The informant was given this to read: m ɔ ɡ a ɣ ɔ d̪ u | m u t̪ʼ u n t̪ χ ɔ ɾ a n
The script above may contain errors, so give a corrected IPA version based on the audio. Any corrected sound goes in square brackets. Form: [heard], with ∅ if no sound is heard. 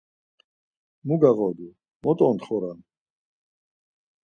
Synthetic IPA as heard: m [u] ɡ a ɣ ɔ d̪ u | m [ɔ] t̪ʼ [ɔ] n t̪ χ ɔ ɾ a n